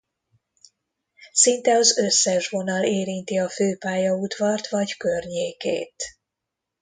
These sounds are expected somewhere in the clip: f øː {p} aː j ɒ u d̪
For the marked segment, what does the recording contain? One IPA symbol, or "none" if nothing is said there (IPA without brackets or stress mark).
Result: p